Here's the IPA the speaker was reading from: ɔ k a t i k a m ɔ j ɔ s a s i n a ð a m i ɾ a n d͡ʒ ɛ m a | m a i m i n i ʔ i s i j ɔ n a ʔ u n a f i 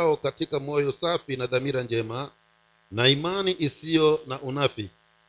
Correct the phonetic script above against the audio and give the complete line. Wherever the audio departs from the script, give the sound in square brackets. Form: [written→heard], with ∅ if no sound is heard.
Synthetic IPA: ɔ k a t i k a m ɔ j ɔ s a [s→f] i n a ð a m i ɾ a n d͡ʒ ɛ m a | [m→n] a i m [i→a] n i ʔ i s i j ɔ n a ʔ u n a f i